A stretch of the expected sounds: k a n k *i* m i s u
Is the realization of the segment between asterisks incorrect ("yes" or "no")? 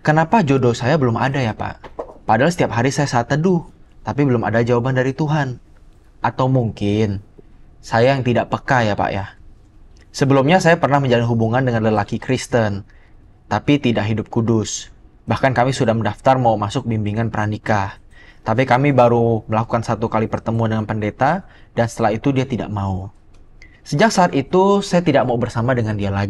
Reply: yes